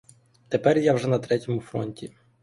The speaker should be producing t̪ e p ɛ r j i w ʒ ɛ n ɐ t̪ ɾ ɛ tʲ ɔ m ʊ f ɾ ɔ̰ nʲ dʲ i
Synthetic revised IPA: t̪ e p ɛ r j a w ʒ ɛ n ɐ t̪ ɾ ɛ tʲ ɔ m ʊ f ɾ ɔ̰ nʲ tʲ i